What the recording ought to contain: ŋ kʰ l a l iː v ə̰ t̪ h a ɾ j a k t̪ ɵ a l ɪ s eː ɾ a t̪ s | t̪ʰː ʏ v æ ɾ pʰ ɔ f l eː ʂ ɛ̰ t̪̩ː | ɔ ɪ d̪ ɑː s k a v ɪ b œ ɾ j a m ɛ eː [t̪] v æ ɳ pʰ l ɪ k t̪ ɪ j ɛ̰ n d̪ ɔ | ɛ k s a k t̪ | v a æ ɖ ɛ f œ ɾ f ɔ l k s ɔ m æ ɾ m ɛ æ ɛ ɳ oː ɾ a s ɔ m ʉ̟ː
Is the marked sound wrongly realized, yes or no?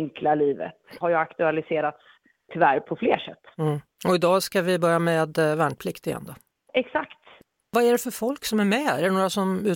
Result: yes